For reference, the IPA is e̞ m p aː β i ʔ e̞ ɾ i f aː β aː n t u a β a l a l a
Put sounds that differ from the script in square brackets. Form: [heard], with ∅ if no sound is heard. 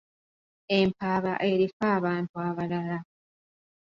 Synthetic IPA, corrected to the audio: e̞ m p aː β [a] ʔ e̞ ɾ i f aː β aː n t u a β a l a l a